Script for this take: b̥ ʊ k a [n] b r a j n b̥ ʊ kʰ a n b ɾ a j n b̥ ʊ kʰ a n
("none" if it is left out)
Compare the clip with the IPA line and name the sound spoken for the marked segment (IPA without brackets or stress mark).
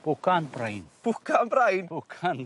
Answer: n